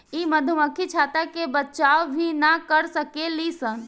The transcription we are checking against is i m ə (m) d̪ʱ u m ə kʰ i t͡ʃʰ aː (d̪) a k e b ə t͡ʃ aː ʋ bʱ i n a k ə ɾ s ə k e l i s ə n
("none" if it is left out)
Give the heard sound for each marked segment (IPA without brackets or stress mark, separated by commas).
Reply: none, t̪